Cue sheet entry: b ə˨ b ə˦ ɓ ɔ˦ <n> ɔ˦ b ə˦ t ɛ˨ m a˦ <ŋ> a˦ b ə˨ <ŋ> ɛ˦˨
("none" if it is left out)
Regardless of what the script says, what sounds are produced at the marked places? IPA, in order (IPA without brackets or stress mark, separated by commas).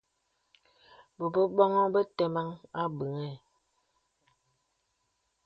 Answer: ŋ, ŋ, ŋ